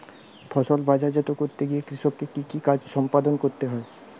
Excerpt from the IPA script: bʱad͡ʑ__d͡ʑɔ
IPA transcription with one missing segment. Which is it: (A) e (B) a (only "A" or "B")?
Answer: B